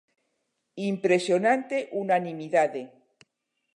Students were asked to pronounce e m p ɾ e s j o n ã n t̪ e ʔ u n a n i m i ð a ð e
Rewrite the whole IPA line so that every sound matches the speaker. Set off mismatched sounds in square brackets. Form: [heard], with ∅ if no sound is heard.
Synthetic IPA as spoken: [i] m p ɾ e s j o n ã n t̪ e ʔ u n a n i m i ð a ð e